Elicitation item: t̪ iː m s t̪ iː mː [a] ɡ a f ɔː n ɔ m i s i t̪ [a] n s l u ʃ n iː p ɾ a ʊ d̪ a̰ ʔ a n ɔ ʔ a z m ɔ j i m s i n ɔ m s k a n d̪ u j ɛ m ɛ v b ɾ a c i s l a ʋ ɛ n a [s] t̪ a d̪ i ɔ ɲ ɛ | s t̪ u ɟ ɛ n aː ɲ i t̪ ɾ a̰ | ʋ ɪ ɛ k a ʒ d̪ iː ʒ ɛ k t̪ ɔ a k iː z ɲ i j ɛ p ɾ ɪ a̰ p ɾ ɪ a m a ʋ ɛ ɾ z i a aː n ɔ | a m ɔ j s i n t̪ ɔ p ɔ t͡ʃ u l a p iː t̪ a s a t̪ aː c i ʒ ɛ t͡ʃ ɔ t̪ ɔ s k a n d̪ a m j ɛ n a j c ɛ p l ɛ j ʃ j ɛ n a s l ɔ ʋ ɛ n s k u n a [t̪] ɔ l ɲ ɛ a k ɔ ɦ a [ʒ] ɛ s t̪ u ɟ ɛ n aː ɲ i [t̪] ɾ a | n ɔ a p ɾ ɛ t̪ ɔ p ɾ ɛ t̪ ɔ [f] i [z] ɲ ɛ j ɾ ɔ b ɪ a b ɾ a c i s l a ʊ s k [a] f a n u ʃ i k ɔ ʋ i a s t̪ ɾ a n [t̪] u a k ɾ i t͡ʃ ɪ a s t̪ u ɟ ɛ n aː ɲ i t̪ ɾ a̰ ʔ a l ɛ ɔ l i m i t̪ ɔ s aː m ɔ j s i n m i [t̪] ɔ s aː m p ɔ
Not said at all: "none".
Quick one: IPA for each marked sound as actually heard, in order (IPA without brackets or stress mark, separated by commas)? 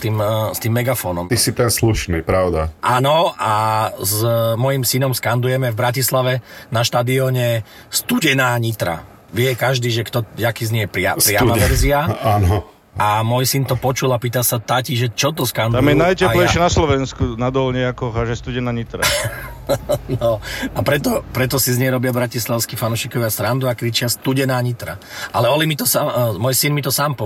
ɛ, ɛ, ʃ, d̪, ʒ, t̪, s, z, i, d̪, t̪